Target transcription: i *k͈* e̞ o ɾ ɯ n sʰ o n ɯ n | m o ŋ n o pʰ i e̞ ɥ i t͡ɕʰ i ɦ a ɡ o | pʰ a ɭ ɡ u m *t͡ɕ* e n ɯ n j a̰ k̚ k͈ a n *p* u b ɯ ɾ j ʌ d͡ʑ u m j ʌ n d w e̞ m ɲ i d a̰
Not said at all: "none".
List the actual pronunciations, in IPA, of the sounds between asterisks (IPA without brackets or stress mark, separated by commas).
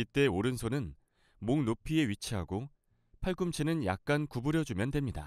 t͈, t͡ɕʰ, k